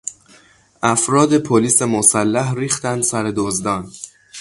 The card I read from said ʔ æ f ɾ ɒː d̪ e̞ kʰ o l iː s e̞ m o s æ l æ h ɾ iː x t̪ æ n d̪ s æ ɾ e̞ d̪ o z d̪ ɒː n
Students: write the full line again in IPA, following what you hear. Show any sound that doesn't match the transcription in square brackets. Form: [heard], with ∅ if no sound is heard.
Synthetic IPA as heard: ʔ æ f ɾ ɒː d̪ e̞ [pʰ] o l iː s e̞ m o s æ [lː] æ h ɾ iː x t̪ æ n d̪ s æ ɾ e̞ d̪ o z d̪ ɒː n

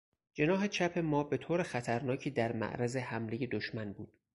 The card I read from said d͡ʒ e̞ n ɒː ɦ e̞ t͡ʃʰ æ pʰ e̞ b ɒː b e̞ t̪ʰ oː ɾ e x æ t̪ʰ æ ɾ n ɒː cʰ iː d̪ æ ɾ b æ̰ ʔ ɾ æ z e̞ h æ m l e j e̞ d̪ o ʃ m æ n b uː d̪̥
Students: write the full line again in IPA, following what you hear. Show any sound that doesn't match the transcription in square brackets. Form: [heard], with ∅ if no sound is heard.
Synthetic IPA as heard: d͡ʒ e̞ n ɒː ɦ e̞ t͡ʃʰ æ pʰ e̞ [m] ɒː b e̞ t̪ʰ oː ɾ e x æ t̪ʰ æ ɾ n ɒː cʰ iː d̪ æ ɾ [m] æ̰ ʔ ɾ æ z e̞ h æ m l e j e̞ d̪ o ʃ m æ n b uː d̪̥

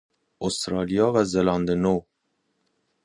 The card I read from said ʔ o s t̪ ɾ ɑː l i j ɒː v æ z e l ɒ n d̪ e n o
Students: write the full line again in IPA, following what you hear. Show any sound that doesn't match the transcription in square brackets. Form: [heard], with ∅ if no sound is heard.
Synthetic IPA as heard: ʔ o s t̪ ɾ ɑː l i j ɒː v æ z e l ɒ n d̪ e n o

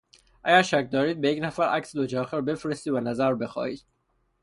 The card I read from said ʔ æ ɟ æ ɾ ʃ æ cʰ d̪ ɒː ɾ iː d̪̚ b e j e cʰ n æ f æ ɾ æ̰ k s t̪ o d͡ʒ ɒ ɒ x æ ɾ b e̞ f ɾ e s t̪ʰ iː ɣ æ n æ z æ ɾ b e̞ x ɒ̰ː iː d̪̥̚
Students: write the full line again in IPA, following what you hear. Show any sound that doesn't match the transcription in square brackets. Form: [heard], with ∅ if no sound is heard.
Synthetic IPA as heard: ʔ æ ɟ æ ɾ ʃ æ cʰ d̪ ɒː ɾ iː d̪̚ b e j e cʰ n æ f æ ɾ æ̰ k s [d̪] o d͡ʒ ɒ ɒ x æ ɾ b e̞ f ɾ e s [t̪] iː [v] æ n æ z æ ɾ b e̞ x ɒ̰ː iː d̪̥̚

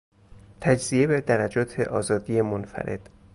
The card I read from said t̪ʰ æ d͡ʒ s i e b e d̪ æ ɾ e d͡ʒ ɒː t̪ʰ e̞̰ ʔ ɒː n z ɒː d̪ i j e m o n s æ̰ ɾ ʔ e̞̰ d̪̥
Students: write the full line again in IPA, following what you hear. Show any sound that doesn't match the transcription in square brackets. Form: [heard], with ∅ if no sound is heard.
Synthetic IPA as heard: t̪ʰ æ d͡ʒ [z] i e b e d̪ æ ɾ [æ] d͡ʒ ɒː t̪ʰ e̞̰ ʔ ɒː [∅] z ɒː d̪ i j e m o n [f] æ̰ ɾ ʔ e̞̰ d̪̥

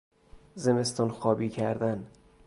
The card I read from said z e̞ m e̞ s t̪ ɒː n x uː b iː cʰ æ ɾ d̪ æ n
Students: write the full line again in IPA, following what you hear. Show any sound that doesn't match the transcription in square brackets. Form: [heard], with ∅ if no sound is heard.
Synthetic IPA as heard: z e̞ m e̞ s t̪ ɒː n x [ɒː] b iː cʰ æ ɾ d̪ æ n

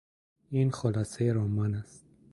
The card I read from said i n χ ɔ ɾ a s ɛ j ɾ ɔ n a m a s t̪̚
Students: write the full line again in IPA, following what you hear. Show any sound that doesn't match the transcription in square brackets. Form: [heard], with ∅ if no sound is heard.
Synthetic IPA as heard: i n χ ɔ [l] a s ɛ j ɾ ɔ [m] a [n] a s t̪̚

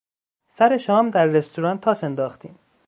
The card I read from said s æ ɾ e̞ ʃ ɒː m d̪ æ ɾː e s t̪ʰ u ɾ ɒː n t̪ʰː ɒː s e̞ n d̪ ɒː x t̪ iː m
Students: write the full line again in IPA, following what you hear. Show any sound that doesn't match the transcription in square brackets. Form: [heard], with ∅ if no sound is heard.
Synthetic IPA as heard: s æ ɾ e̞ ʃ ɒː m d̪ æ ɾː e s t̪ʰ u ɾ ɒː n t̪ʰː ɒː s e̞ n d̪ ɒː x t̪ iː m

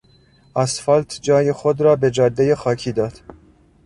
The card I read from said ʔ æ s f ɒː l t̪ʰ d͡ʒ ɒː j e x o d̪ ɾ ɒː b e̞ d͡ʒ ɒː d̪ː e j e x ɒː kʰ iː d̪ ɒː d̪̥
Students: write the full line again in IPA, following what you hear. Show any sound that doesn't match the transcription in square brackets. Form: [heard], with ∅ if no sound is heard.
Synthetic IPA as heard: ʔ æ s f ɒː l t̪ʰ d͡ʒ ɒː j e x o d̪ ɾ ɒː b e̞ d͡ʒ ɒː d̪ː e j e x ɒː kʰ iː d̪ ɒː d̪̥

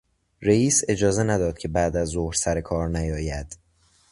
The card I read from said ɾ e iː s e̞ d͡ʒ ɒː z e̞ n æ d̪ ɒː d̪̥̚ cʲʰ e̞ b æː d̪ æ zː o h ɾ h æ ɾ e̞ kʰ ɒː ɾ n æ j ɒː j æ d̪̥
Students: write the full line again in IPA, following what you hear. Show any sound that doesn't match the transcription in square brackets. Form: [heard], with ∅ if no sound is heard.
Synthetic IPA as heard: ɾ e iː s e̞ d͡ʒ ɒː z e̞ n æ d̪ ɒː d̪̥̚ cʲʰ e̞ b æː d̪ æ zː o h ɾ [s] æ ɾ e̞ kʰ ɒː ɾ n æ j ɒː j æ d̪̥

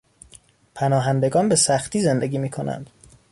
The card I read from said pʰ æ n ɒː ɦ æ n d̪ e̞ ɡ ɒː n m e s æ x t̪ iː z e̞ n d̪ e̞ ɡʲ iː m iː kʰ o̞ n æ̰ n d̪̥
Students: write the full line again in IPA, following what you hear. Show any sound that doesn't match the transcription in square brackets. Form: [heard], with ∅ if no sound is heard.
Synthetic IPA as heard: pʰ æ n ɒː ɦ æ n d̪ e̞ ɡ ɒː n [b] e s æ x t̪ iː z e̞ n d̪ e̞ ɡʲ iː m iː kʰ o̞ n æ̰ n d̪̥

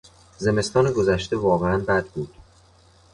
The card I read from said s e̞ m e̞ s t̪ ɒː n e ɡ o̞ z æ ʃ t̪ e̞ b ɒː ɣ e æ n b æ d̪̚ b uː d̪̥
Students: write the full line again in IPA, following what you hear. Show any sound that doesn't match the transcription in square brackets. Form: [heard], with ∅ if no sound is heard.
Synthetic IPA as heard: [z] e̞ m e̞ s t̪ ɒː n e ɡ o̞ z æ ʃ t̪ e̞ [v] ɒː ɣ e æ n b æ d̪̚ b uː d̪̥

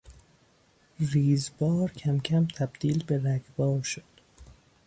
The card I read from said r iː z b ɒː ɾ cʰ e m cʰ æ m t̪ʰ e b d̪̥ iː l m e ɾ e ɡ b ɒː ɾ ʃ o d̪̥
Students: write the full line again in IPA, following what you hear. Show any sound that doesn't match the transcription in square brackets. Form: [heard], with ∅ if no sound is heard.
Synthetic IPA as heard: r iː z b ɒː ɾ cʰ [æ] m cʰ æ m t̪ʰ [æ] b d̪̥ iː l [b] e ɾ [æ] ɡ b ɒː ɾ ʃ o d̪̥

